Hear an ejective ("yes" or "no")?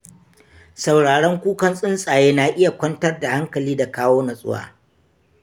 yes